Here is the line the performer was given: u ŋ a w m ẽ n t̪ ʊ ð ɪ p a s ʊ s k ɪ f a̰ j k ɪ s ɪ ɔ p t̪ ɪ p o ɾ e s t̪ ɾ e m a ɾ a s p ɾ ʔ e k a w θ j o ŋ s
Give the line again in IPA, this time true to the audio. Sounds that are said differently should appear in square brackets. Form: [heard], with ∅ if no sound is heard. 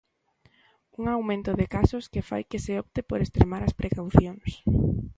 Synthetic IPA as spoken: u ŋ a w m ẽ n t̪ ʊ ð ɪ [k] a s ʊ s k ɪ f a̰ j k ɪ s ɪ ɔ p t̪ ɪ p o ɾ e s t̪ ɾ e m a ɾ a s p ɾ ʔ e k a w θ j o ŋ s